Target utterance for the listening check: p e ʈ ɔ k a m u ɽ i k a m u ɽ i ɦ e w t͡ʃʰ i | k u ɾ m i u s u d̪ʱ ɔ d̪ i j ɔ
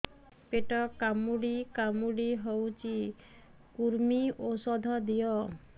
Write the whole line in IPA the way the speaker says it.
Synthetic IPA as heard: p e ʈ ɔ k a m u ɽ i k a m u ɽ i ɦ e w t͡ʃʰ i | k u ɾ m i o s ɔ d̪ʱ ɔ d̪ i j ɔ